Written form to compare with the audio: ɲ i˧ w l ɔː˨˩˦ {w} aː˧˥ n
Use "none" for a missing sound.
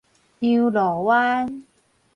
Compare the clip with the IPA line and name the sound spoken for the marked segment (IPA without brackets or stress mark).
w